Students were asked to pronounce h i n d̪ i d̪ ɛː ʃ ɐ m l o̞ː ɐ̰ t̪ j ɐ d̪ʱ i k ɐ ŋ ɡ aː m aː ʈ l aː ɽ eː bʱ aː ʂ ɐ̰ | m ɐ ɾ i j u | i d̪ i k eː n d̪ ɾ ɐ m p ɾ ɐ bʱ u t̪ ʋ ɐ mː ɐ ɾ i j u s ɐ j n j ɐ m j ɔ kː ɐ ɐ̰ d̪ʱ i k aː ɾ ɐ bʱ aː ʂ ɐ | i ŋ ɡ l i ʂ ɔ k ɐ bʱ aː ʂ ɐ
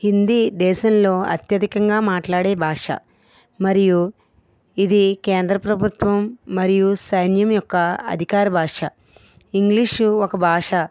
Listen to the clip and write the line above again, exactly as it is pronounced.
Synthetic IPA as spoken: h i n d̪ i d̪ ɛː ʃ ɐ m l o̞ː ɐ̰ t̪ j ɐ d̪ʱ i k ɐ ŋ ɡ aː m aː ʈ l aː ɽ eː bʱ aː ʂ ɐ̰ | m ɐ ɾ i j u | i d̪ i k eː n d̪ ɾ ɐ p ɾ ɐ bʱ u t̪ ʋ ɐ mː ɐ ɾ i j u s ɐ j n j ɐ m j ɔ kː ɐ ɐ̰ d̪ʱ i k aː ɾ ɐ bʱ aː ʂ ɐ | i ŋ ɡ l i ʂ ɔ k ɐ bʱ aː ʂ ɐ